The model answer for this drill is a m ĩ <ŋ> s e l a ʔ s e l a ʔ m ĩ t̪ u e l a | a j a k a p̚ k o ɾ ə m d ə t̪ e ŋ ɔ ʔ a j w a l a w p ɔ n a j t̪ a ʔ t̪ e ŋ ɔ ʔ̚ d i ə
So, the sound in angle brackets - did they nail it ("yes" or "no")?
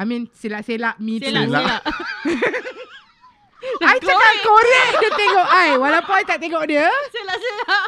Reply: no